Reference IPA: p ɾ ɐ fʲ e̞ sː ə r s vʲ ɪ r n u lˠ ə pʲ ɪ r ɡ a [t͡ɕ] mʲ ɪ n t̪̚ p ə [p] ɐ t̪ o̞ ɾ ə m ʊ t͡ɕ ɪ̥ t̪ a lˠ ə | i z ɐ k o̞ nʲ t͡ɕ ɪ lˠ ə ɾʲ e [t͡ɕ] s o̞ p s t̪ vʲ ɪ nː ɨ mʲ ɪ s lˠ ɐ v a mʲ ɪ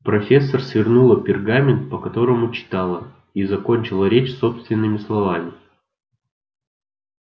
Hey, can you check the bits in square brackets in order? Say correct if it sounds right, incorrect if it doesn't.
incorrect, incorrect, correct

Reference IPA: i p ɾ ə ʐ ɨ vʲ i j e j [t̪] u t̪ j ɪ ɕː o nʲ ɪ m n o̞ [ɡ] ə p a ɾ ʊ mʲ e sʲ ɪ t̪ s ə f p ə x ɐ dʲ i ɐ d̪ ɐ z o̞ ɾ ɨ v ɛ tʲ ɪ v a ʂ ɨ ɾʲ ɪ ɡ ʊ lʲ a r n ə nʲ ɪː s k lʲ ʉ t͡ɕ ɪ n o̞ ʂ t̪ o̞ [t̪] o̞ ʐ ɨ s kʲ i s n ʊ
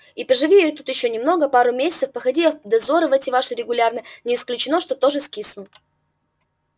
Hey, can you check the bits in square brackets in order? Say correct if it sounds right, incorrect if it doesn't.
correct, correct, correct

